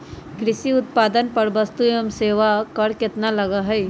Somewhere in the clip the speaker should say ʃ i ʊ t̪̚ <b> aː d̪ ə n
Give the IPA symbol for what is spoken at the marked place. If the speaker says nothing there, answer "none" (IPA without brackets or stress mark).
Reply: p